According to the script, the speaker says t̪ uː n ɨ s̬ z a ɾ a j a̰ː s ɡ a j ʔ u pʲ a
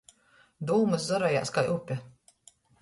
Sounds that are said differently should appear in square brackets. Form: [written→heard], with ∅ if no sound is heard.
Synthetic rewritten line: [t̪→d̪] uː [n→m] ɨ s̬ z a ɾ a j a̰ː s [ɡ→k] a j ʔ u pʲ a